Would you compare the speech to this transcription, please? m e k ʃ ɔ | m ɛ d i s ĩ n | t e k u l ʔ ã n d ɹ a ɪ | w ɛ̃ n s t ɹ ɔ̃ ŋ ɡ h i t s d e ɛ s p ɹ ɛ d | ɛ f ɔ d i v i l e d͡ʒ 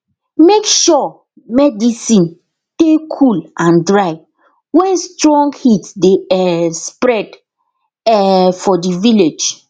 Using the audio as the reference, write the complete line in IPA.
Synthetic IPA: m e k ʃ ɔ | m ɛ d i s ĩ n | t e kʰ u l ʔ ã n d ɹ a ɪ | w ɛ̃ n s t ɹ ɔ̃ ŋ ɡ h i t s d e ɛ s p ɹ ɛ d | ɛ f ɔ d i v i l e d͡ʒ